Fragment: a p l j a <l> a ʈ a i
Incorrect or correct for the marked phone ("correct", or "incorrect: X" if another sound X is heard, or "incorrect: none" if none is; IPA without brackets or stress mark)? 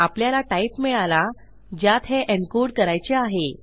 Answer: correct